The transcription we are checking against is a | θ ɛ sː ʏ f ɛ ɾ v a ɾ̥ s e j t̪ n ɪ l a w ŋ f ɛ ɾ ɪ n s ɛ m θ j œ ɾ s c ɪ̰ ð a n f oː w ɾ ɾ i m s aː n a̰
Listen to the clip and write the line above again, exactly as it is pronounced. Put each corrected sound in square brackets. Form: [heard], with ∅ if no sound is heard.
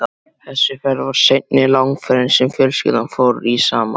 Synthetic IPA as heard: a | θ ɛ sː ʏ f ɛ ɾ v a ɾ̥ s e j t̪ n ɪ l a w ŋ f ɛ ɾ ɪ n s ɛ m [f] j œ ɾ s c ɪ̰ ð a n f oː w ɾ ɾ i [∅] s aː [m] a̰